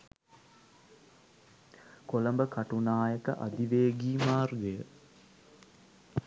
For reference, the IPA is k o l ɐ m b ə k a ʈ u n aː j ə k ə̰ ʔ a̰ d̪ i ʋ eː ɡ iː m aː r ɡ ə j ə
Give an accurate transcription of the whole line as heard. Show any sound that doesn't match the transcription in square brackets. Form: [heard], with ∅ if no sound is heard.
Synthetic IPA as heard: k o l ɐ m b ə k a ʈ u n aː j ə k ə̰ ʔ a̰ d̪ i ʋ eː ɡ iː m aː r ɡ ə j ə